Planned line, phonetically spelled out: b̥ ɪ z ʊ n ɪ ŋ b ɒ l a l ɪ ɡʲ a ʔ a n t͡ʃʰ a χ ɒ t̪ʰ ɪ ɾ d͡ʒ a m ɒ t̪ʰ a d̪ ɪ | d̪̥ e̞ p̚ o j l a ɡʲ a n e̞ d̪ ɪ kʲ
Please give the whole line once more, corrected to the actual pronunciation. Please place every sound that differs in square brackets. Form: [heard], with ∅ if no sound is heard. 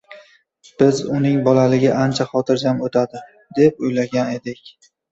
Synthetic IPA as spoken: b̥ ɪ z ʊ n ɪ ŋ b ɒ l a l ɪ ɡʲ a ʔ a n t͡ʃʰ a χ ɒ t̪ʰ ɪ ɾ d͡ʒ a m [o] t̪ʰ a d̪ ɪ | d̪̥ e̞ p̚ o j l a ɡʲ a n e̞ d̪ ɪ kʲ